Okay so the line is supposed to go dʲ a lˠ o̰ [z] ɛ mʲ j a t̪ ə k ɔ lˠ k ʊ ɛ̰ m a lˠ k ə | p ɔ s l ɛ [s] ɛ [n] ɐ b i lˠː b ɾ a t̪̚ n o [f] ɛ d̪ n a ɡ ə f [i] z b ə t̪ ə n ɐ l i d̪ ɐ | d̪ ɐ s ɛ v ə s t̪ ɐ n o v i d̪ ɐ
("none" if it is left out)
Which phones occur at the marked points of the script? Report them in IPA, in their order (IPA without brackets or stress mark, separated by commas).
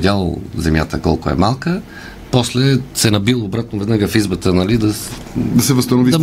z, s, n, v, i